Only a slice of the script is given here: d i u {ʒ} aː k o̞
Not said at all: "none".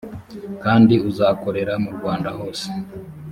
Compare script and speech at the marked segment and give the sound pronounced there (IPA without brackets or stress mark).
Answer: z